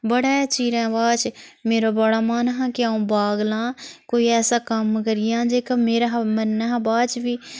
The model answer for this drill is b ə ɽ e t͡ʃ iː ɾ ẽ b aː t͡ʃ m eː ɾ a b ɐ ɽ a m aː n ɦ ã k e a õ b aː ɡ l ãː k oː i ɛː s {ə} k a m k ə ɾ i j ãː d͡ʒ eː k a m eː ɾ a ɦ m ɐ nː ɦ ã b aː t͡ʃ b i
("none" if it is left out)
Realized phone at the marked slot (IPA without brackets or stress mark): a